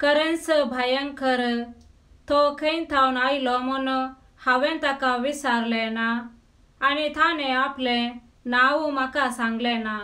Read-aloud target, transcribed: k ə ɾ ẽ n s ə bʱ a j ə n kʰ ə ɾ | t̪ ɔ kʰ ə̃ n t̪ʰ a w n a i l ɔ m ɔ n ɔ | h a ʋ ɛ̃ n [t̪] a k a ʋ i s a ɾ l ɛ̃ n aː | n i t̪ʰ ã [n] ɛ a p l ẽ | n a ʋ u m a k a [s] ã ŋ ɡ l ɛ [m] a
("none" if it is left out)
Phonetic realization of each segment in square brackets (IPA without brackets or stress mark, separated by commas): t̪, n, s, n